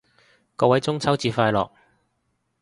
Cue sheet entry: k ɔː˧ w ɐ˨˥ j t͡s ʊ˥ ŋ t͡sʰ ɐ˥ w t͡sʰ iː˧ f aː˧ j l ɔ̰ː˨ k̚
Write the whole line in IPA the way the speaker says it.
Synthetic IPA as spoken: k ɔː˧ w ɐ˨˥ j t͡s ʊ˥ ŋ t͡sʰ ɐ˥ w t͡s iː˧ f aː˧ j l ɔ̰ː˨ k̚